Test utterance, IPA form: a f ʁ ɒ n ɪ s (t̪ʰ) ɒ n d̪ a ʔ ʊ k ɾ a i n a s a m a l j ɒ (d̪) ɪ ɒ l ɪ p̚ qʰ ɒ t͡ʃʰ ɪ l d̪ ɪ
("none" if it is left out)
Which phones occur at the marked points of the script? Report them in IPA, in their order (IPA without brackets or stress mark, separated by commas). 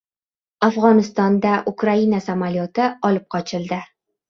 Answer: t̪, t̪